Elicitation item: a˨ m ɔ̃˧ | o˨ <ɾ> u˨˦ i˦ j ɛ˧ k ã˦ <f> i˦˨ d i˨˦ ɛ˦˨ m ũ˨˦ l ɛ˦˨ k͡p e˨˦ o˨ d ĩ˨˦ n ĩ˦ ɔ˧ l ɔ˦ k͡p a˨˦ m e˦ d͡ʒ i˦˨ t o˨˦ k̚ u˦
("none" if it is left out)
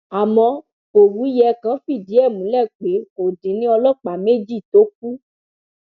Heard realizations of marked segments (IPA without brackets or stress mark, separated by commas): ɾ, f